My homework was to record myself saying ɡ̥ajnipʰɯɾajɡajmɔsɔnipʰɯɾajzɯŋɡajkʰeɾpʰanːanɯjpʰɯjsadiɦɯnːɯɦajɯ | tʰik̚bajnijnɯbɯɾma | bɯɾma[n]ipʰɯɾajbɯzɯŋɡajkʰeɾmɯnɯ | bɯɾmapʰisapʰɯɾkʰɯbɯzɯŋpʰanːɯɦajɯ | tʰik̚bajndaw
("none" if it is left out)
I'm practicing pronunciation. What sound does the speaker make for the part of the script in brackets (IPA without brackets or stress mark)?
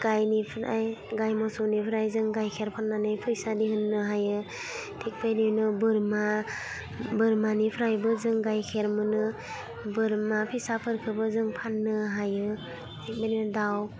n